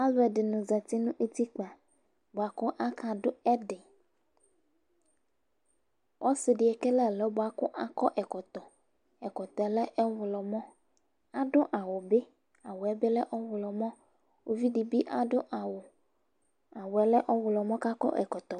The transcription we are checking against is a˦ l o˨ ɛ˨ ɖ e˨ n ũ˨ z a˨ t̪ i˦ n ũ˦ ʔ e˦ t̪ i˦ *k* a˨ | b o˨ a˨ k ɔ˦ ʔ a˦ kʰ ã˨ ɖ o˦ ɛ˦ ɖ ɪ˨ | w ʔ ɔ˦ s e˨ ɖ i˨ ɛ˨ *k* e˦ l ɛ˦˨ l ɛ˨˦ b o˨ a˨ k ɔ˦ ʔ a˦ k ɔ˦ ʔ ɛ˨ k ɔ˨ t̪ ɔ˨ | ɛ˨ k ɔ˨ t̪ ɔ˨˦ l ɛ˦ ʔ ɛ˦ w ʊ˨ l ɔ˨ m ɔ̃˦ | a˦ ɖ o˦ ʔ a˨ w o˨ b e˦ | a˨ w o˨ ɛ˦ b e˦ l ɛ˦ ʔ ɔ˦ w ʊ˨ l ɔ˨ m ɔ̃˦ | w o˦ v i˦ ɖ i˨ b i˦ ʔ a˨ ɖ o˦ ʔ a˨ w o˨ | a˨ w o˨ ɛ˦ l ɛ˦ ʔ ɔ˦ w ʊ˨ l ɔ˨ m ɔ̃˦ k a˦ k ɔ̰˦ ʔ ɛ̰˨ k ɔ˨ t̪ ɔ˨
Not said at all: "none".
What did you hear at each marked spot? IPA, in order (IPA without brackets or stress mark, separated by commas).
k͡p, k